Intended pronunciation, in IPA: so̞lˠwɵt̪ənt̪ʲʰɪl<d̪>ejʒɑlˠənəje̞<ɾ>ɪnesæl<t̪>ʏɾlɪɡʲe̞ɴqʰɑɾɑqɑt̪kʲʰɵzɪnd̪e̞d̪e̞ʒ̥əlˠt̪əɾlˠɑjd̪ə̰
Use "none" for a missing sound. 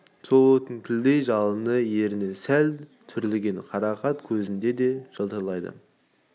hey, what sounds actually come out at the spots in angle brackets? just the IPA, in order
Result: d̪, ɾ, t̪ʰ

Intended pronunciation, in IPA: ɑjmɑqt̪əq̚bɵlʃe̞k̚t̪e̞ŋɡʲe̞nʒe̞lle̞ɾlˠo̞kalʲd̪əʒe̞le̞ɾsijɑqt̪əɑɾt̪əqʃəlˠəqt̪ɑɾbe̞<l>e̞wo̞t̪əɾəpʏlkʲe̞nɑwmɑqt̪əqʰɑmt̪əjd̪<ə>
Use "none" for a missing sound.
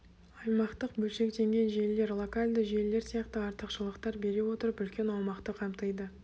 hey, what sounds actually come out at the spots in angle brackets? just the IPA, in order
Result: ɾ, ə

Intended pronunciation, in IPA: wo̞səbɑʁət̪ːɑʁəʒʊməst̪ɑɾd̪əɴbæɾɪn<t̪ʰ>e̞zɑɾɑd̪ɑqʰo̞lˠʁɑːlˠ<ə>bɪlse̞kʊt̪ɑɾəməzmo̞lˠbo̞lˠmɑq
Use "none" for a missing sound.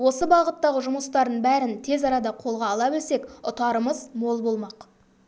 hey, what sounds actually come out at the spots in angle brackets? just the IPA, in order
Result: t̪ʰ, ɑ

